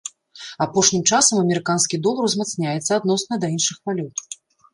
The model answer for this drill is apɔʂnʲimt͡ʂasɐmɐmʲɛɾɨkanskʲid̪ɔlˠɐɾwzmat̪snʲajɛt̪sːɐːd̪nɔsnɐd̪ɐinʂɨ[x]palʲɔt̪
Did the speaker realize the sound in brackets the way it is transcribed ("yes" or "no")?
yes